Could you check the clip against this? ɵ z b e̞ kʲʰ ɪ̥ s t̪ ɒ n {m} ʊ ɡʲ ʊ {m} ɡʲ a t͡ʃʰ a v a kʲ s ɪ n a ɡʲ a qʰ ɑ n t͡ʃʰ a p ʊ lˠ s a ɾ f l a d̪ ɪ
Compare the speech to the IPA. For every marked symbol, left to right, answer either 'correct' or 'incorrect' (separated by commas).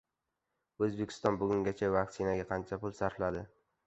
incorrect, incorrect